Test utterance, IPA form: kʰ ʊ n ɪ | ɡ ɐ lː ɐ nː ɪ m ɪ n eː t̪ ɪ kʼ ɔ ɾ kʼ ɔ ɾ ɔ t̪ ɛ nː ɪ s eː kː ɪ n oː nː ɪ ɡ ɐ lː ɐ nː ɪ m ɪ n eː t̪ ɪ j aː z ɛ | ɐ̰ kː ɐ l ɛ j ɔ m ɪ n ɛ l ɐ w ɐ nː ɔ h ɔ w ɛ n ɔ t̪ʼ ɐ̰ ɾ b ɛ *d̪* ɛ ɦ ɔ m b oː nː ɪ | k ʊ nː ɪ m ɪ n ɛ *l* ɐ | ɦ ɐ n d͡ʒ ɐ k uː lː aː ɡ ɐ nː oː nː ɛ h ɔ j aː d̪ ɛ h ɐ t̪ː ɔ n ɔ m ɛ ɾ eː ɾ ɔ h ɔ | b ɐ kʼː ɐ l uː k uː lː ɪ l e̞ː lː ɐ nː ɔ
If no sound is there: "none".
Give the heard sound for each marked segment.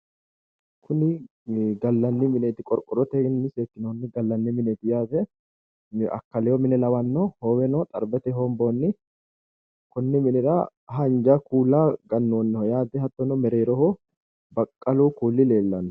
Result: t̪, ɾ

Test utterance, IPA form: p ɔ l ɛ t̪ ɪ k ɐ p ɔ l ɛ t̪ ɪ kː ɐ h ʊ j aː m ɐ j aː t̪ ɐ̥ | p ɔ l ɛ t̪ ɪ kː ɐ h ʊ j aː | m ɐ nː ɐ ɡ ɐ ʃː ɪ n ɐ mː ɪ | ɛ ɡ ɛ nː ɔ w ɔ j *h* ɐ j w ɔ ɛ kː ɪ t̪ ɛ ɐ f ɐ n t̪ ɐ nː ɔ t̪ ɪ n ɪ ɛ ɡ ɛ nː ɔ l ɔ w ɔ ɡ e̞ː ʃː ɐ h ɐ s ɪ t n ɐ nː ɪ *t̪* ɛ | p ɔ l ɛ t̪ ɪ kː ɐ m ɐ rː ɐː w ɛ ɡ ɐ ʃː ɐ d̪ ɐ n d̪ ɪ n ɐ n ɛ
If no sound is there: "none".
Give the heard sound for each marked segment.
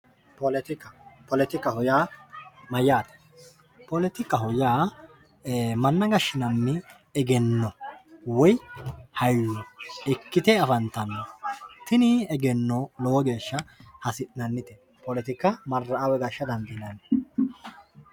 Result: h, t̪

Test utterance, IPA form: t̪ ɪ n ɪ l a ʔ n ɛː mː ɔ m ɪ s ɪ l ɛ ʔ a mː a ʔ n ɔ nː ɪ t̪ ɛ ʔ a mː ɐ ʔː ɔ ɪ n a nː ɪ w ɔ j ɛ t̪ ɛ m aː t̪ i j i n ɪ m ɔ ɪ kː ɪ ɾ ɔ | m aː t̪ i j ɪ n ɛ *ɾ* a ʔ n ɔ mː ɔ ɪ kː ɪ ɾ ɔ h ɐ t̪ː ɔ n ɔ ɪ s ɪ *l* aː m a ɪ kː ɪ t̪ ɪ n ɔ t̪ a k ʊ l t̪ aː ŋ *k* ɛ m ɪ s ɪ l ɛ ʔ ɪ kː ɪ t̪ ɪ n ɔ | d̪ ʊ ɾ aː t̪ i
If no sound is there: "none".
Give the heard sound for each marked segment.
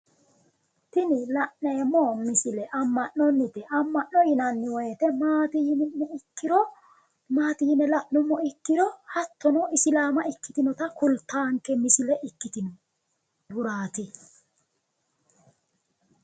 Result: l, l, k

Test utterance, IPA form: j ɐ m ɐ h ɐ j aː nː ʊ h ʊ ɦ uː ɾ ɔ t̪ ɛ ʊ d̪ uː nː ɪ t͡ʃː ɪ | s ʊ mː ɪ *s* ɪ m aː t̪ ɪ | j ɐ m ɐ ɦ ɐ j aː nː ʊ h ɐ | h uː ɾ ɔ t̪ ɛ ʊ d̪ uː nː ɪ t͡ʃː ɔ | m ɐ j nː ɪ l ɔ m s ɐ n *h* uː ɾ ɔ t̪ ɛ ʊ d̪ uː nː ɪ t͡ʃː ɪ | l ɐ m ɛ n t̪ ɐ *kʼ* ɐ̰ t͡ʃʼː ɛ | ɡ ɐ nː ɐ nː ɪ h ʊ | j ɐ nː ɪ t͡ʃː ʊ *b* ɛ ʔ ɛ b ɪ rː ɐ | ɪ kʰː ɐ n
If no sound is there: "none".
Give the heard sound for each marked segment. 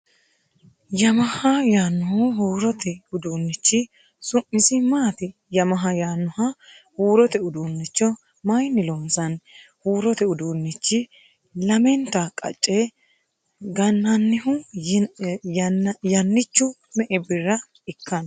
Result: s, h, kʼ, m

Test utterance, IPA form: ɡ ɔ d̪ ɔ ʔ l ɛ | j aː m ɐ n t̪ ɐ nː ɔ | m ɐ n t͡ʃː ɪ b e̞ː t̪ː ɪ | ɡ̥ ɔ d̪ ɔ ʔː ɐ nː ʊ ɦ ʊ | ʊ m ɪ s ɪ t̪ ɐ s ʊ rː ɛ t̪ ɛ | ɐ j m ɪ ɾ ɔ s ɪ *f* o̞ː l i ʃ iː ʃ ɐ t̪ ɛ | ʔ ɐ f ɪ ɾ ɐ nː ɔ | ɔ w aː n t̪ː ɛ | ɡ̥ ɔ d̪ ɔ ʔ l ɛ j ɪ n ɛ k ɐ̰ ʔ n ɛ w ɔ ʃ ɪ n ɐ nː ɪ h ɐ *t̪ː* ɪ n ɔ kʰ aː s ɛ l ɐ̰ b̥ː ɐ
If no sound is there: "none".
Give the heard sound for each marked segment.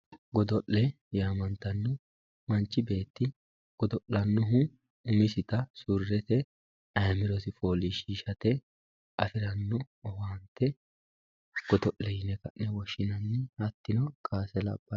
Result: f, t̪ː

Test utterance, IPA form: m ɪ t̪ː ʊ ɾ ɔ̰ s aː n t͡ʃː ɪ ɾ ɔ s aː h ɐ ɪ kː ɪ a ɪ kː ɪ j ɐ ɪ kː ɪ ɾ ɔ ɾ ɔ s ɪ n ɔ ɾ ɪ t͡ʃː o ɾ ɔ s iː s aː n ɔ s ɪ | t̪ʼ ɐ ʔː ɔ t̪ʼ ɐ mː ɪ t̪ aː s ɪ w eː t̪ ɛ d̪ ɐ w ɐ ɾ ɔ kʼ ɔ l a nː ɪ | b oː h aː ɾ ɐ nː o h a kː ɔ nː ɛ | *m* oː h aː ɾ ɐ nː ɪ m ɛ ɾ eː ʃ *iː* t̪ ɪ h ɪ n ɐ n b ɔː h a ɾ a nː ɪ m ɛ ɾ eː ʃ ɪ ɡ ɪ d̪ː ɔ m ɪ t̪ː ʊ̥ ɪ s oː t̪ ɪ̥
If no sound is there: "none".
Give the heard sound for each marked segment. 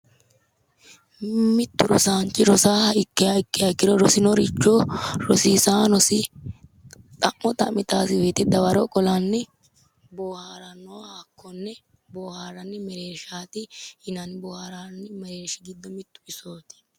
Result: b, aː

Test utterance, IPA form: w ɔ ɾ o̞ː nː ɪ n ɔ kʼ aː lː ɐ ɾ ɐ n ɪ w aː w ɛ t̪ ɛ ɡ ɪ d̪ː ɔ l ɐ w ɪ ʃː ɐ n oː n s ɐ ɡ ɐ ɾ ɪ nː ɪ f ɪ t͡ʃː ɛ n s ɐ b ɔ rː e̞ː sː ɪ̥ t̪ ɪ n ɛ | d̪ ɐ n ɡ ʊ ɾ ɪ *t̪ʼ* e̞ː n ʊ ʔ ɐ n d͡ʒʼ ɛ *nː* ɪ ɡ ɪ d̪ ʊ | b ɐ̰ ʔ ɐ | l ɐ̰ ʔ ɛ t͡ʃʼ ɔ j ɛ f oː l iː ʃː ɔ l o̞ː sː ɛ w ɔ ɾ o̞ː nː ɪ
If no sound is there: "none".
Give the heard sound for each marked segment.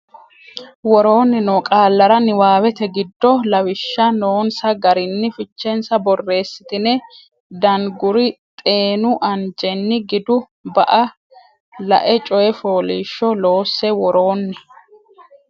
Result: t̪ʼ, nː

